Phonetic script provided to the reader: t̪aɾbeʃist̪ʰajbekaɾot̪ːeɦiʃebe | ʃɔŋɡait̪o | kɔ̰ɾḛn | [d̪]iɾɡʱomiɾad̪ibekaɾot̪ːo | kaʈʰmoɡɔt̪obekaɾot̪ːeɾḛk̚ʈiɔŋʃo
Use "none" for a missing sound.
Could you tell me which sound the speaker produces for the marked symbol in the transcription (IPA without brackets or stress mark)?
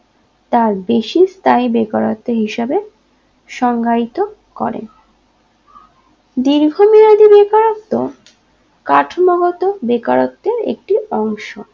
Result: d̪